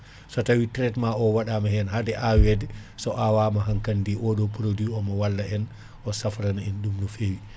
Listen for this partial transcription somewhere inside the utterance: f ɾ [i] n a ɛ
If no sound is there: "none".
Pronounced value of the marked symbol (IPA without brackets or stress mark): a